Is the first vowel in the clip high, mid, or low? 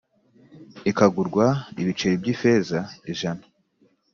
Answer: high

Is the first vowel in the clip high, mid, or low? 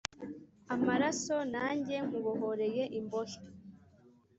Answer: low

